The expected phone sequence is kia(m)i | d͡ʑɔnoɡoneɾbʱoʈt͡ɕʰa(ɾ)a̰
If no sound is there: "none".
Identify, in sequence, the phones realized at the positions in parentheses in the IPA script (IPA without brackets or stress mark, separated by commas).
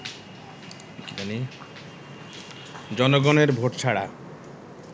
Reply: n, ɽ